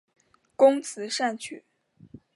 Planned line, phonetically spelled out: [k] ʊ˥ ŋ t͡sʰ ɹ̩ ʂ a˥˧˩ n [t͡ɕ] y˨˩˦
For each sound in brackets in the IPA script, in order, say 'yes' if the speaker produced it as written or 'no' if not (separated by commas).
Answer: yes, no